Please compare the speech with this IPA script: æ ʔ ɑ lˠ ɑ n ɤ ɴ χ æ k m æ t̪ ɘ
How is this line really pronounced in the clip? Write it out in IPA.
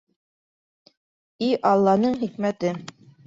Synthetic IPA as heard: i ʔ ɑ lˠː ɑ n ɤ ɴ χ i k m æ t̪ ɘ